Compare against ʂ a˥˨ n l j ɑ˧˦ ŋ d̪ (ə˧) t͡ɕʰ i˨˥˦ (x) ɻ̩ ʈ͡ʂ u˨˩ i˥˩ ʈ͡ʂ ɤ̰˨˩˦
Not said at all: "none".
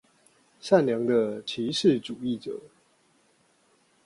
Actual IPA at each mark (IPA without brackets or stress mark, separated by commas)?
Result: ə˧, ʂ